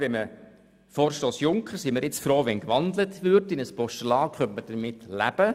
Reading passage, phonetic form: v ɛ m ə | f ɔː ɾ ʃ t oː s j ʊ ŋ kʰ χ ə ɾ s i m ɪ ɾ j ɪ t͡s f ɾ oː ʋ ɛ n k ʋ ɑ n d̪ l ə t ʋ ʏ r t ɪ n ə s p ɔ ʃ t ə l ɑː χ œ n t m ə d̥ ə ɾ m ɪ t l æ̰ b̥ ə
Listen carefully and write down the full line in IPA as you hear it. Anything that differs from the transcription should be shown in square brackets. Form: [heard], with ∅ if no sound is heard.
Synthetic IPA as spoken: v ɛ m ə | f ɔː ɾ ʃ t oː s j ʊ ŋ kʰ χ ə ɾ s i m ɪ ɾ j ɪ t͡s f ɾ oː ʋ ɛ n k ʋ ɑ n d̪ l ə t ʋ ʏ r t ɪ n ə s p ɔ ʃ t ə l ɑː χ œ n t m ə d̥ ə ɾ m ɪ t l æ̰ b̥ ə